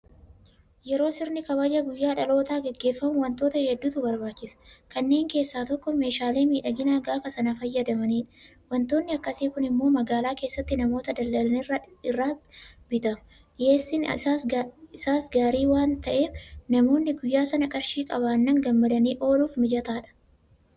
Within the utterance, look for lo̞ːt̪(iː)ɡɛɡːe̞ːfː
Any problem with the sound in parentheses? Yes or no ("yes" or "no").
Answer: yes